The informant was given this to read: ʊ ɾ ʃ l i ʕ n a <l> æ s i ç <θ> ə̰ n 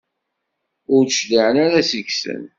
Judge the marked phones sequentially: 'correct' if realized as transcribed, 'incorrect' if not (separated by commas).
incorrect, incorrect